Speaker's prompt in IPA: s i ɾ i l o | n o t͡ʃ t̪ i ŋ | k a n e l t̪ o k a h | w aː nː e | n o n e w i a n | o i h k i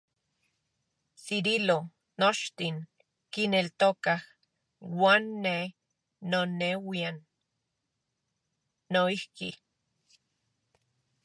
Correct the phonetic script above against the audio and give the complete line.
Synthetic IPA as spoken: s i ɾ i l o | n o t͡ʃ t̪ i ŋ | k i n e l t̪ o k a h | w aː nː e | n o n e w i a n | o i h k i